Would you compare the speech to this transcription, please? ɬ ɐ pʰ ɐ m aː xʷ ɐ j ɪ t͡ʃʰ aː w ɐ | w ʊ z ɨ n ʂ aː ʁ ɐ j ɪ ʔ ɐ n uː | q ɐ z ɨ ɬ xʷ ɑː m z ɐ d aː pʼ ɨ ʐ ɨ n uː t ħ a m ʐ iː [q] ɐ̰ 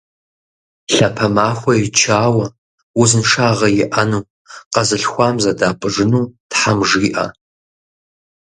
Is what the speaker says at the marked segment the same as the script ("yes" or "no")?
no